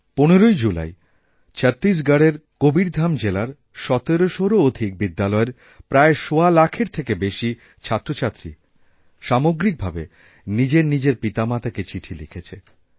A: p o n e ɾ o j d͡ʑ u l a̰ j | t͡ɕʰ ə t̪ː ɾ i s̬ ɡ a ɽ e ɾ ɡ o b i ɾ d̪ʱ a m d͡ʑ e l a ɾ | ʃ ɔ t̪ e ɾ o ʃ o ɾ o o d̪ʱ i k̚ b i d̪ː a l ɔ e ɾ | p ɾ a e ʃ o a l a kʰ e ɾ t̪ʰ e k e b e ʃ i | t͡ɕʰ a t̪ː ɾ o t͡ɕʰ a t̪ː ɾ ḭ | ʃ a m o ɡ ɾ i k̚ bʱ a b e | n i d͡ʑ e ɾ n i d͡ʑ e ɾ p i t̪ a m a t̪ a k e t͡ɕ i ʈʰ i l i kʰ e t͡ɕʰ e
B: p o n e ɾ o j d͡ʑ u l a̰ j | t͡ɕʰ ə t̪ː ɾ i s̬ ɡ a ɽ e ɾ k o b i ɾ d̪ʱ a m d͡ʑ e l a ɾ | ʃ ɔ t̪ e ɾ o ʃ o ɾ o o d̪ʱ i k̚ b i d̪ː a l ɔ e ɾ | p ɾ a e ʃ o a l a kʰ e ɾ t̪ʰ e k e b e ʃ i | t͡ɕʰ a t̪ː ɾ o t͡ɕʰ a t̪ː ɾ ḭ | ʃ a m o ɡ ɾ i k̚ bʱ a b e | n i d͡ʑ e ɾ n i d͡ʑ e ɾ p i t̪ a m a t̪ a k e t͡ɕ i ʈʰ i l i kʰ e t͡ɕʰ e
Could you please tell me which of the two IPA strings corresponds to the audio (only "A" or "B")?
B